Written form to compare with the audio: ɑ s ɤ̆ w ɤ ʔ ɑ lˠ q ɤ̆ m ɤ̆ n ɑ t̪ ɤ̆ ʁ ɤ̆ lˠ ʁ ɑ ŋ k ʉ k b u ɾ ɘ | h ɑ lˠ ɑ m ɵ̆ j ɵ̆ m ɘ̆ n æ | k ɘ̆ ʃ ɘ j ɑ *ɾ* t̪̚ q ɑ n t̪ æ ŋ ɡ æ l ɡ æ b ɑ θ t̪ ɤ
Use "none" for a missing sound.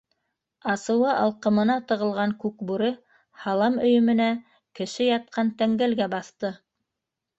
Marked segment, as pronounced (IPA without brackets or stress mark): none